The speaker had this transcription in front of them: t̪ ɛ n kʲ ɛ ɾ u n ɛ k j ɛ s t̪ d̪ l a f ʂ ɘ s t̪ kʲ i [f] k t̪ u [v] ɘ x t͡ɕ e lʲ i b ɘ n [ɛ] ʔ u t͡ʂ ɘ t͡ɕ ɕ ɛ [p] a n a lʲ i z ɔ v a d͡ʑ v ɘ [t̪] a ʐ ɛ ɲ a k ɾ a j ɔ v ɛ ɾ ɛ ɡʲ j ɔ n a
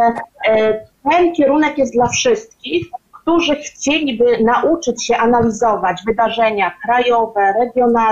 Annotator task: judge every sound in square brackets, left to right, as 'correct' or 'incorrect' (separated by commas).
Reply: incorrect, incorrect, incorrect, incorrect, incorrect